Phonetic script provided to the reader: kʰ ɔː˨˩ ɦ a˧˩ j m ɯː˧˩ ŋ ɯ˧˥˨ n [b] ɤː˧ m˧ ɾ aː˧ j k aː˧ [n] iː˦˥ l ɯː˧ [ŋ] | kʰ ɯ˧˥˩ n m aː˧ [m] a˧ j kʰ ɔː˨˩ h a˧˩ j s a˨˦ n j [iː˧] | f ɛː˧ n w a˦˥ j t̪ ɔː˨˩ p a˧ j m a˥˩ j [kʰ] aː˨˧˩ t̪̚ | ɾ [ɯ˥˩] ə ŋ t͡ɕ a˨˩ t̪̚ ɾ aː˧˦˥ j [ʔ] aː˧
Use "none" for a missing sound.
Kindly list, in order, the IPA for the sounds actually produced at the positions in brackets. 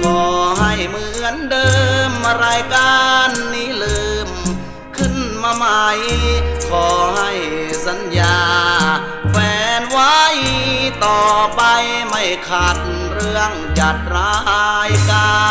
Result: d, nː, m, m, aː˧, kʰ, ɯ˧, k

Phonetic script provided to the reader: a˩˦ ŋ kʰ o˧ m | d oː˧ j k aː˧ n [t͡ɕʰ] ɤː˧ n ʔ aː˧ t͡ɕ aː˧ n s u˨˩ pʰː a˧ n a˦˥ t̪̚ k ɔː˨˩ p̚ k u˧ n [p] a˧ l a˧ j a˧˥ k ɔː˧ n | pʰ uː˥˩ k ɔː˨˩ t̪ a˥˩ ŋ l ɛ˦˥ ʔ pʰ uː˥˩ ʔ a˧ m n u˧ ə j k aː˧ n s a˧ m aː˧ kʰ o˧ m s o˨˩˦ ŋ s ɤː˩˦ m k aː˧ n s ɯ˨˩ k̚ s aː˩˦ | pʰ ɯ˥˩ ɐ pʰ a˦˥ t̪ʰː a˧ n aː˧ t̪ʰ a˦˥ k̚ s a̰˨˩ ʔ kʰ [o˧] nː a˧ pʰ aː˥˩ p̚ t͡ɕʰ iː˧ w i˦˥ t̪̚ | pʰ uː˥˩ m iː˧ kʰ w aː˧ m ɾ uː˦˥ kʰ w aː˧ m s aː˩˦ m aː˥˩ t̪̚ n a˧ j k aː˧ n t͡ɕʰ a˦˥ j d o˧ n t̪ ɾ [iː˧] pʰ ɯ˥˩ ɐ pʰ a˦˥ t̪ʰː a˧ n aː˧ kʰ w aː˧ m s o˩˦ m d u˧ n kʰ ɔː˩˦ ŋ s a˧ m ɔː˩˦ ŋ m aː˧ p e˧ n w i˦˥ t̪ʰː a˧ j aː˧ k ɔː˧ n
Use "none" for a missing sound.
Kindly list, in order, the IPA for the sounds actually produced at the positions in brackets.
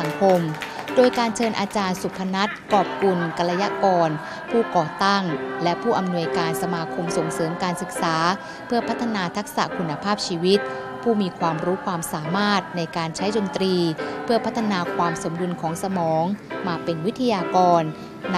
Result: t͡ɕʰ, k, u˧, iː˧

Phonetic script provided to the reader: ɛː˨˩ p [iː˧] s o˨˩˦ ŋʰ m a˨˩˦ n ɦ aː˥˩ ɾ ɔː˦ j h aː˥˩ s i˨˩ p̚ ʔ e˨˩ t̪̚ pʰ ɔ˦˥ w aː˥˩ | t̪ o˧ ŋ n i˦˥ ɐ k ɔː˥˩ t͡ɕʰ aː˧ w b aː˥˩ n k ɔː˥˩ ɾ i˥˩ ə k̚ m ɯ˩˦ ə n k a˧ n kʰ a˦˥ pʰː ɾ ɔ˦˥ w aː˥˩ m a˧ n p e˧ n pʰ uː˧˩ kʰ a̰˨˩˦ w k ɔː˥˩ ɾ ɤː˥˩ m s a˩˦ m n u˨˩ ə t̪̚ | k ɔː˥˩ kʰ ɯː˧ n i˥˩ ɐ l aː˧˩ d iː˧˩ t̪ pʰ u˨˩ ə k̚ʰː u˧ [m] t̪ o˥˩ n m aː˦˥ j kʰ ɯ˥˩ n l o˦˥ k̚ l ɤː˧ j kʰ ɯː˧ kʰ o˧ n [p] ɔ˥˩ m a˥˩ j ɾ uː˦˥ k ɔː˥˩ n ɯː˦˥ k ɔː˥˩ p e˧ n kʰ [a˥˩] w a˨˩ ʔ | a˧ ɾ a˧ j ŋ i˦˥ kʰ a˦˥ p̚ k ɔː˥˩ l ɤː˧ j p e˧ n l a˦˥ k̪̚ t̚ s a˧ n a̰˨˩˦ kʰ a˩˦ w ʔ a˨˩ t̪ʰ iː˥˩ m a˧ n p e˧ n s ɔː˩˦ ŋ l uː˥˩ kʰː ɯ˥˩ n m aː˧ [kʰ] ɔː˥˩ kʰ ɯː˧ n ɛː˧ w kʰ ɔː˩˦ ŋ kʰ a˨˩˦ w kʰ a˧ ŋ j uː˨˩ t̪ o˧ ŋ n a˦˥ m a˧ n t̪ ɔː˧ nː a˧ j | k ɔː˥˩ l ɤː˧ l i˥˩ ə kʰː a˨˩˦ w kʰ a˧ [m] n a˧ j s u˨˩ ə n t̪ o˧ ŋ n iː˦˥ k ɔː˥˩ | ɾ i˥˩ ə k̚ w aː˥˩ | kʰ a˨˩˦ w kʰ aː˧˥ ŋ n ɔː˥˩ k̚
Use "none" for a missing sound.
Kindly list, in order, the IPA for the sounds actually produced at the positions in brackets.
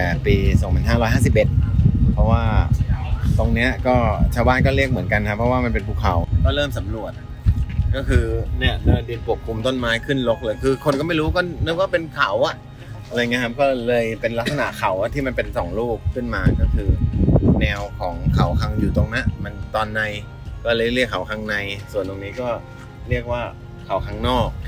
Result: iː˧, m, k, a˨˩˦, k, ŋ

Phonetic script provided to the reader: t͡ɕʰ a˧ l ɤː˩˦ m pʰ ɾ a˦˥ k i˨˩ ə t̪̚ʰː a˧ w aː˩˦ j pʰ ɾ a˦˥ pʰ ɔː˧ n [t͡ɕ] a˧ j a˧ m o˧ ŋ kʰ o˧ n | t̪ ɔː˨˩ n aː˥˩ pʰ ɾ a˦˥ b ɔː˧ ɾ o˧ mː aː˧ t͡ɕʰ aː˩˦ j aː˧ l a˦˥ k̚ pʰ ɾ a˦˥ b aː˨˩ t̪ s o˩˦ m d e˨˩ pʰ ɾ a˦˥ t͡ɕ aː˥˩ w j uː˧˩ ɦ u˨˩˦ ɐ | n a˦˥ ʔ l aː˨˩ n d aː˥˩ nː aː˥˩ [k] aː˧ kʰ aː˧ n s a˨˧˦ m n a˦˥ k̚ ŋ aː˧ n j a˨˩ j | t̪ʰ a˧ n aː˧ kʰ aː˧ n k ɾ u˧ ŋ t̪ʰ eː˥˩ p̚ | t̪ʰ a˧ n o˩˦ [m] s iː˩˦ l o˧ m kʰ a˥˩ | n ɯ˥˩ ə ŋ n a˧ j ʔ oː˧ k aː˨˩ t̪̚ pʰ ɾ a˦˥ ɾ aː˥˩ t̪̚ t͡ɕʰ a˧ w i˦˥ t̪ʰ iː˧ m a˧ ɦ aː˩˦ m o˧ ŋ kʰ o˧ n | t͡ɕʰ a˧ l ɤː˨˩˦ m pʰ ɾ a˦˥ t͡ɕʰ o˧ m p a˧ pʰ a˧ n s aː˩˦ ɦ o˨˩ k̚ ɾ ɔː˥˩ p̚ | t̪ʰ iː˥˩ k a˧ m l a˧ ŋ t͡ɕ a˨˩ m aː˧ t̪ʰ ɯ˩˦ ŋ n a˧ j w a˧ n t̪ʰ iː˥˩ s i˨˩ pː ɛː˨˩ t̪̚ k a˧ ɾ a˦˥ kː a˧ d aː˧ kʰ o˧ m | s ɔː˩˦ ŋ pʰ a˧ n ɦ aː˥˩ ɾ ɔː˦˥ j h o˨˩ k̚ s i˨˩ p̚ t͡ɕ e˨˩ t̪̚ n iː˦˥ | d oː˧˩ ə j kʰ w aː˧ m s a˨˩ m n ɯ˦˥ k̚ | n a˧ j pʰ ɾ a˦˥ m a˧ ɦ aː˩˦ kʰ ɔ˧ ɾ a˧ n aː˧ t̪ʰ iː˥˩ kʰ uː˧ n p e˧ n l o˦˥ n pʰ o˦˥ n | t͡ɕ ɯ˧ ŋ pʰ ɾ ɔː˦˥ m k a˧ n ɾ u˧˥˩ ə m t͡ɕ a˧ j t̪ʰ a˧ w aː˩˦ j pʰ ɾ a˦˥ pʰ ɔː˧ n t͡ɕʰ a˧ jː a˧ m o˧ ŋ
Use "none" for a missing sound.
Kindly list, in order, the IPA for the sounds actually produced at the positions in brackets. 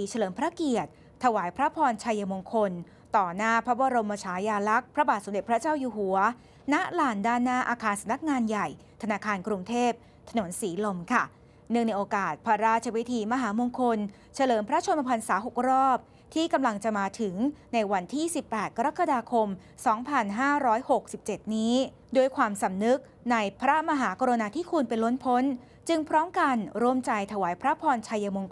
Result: t͡ɕʰ, ʔ, n

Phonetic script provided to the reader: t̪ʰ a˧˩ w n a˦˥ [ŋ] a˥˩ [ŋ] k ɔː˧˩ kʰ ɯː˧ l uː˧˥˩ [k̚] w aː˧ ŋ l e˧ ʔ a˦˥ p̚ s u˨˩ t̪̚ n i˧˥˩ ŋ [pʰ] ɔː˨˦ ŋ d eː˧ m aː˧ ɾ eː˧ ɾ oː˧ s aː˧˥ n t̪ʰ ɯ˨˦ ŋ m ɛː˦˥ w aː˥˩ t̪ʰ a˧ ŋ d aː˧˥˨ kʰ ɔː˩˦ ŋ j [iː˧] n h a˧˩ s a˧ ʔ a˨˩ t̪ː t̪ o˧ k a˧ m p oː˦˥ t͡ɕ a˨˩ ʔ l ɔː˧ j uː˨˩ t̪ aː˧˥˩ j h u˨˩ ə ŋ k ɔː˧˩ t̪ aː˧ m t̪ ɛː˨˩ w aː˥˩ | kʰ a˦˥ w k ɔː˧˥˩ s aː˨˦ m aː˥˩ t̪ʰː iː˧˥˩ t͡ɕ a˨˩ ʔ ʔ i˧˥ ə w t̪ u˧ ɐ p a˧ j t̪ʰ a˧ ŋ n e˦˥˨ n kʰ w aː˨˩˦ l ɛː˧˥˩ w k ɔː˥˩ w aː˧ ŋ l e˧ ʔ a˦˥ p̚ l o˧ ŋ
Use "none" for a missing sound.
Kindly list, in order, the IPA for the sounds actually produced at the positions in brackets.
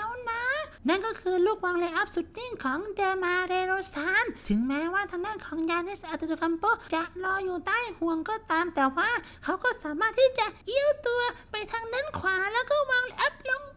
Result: n, n, k̚, kʰ, aː˧

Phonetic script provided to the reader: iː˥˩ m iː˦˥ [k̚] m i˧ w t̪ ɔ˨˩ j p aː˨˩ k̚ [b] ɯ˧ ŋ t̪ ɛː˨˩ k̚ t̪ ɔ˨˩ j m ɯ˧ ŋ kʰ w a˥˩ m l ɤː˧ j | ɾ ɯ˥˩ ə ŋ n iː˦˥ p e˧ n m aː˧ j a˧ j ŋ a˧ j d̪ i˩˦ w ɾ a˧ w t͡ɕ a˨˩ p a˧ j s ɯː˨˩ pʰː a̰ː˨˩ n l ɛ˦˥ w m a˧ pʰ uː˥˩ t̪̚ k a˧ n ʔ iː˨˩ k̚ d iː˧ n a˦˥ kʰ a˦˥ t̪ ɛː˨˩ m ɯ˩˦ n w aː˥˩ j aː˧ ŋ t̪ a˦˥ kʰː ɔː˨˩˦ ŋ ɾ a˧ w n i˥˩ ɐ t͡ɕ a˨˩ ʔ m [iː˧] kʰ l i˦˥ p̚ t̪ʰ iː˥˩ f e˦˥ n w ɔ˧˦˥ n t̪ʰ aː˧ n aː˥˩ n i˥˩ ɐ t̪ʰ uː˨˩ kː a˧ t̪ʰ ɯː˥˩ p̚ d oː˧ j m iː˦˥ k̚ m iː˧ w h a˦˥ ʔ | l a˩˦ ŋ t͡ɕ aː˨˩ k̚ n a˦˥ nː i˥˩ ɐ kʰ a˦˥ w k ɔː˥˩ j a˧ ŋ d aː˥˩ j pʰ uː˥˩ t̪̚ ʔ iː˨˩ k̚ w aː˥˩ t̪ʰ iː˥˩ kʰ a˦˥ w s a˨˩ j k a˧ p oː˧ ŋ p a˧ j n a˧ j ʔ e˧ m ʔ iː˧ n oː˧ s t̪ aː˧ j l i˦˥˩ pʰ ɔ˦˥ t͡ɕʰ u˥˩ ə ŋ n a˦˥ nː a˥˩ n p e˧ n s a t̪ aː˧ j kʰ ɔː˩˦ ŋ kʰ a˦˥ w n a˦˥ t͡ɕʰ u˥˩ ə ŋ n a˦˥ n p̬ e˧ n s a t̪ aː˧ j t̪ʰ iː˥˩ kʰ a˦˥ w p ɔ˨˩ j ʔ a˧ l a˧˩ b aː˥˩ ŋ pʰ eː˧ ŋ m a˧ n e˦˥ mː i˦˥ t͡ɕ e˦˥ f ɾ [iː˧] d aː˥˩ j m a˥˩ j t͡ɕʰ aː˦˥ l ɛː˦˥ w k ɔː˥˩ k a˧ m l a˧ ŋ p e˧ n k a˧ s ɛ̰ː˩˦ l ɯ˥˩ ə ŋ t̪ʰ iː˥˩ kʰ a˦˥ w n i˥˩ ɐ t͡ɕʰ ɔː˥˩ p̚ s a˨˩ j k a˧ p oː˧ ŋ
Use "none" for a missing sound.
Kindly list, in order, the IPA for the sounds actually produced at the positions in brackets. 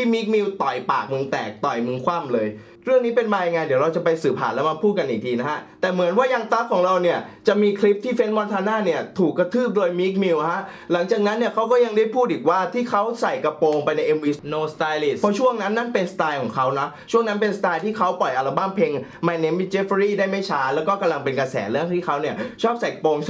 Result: k̚, m, iː˧, iː˥˩

